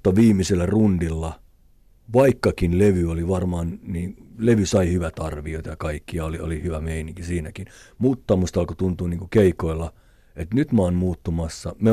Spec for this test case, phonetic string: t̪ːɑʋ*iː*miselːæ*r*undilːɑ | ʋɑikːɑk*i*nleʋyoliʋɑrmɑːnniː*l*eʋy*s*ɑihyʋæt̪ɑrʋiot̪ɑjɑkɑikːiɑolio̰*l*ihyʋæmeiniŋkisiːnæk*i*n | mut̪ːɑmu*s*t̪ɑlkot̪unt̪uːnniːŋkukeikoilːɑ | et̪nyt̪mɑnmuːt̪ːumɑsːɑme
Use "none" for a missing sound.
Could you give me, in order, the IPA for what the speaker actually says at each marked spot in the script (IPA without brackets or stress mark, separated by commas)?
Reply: iː, r, i, l, s, l, i, s